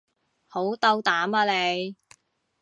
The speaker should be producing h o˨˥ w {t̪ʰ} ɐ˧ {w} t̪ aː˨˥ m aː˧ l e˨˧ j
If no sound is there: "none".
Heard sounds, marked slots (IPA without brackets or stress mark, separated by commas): t̪, w